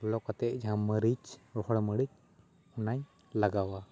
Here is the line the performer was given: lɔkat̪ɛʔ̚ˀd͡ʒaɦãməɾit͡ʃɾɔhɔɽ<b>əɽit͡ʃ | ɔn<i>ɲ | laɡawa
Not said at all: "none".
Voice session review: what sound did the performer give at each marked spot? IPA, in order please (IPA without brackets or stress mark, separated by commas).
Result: m, a